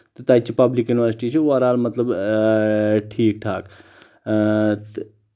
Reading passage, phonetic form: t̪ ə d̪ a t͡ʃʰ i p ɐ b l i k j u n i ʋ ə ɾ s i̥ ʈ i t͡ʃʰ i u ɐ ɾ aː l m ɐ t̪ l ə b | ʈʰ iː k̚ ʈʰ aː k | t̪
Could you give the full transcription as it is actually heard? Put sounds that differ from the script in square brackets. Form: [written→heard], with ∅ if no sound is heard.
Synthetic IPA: t̪ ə [d̪→t̪] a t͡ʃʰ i p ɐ b l i k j u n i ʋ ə ɾ s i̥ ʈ i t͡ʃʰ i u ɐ ɾ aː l m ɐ t̪ l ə b | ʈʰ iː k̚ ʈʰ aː k | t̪